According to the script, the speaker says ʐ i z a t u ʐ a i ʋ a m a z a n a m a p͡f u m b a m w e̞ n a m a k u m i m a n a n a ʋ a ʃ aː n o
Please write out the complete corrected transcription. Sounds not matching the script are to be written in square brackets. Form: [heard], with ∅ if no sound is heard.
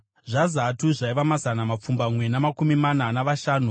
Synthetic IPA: ʐ [a] z a t u ʐ a i ʋ a m a z a n a m a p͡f u m b a m w e̞ n a m a k u m i m a n a n a ʋ a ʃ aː n [u]